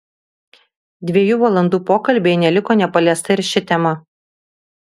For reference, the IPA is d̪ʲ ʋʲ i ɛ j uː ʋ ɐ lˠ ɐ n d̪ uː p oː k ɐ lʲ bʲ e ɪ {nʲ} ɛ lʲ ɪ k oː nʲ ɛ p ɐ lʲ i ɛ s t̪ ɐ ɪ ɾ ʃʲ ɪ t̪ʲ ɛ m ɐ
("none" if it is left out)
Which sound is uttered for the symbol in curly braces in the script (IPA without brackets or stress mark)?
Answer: nʲ